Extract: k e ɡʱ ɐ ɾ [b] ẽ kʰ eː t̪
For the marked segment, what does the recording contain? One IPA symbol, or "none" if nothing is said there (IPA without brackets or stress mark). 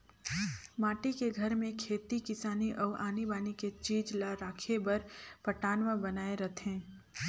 m